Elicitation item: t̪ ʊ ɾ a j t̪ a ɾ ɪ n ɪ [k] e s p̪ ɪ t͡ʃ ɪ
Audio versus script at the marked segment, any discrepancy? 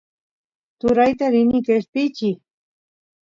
no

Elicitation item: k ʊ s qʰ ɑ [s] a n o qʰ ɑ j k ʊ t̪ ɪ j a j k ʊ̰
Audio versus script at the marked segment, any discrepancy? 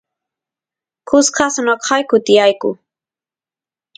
no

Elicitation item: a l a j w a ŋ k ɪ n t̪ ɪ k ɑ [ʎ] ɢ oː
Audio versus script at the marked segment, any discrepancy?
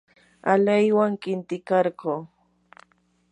yes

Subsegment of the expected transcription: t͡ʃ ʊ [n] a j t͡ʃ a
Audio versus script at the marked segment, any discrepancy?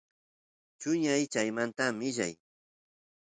yes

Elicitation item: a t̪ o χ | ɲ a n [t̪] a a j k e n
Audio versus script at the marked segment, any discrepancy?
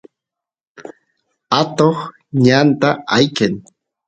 no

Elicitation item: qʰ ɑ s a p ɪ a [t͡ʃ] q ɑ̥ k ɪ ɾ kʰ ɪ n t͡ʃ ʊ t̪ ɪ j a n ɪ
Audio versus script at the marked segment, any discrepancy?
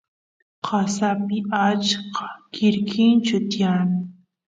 no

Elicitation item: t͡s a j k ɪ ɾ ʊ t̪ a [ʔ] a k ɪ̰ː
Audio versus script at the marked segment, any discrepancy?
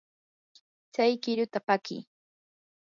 yes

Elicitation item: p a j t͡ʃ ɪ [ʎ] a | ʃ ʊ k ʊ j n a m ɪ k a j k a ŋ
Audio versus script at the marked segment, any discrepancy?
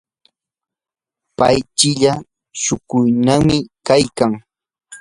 no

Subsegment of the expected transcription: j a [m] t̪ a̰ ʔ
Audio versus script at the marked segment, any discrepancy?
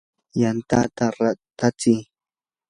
yes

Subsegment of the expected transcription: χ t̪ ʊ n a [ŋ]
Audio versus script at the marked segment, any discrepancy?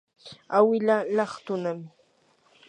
yes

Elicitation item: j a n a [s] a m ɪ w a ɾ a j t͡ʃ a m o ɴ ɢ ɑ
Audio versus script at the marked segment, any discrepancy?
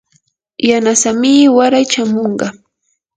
no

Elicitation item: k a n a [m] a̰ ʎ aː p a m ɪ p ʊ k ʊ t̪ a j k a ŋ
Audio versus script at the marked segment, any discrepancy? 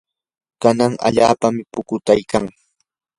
yes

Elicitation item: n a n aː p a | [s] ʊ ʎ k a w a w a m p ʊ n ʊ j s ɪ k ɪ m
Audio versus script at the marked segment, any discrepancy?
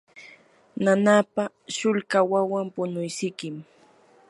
yes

